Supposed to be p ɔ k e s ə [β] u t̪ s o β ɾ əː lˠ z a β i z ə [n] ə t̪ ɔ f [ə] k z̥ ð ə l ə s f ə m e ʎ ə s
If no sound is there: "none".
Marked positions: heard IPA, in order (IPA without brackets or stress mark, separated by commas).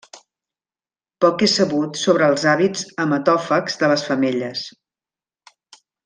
β, m, ə